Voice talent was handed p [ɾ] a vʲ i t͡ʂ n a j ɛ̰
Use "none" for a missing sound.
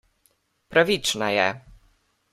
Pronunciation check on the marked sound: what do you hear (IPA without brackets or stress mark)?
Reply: ɾ